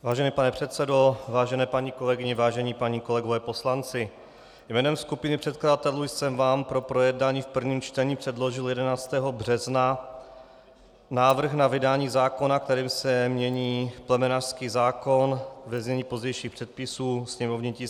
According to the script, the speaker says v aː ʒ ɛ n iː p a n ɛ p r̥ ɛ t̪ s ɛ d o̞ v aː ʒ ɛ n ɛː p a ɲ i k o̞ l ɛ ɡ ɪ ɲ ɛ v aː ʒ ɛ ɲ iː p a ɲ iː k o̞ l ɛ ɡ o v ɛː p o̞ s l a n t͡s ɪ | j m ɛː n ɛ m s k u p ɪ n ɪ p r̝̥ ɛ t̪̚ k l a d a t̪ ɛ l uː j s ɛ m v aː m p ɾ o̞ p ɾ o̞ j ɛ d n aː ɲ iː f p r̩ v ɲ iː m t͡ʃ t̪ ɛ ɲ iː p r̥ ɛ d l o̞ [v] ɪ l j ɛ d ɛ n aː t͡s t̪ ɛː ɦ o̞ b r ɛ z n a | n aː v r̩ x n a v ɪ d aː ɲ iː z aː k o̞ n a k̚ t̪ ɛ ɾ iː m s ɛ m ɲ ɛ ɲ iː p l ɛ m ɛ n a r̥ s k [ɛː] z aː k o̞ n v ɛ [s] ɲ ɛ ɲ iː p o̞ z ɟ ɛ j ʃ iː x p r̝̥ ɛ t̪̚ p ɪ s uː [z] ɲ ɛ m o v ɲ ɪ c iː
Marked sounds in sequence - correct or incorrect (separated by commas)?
incorrect, incorrect, incorrect, incorrect